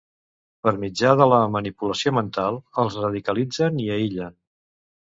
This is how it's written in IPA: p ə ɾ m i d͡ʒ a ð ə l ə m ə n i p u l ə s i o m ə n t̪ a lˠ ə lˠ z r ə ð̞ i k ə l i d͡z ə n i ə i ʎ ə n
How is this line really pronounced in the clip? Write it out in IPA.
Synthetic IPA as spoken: p ə ɾ m i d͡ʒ a ð ə l ə m ə n i p u l ə s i o m ə n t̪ a lˠ ə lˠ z r ə ð̞ i k ə l i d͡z ə n i ə i ʎ ə n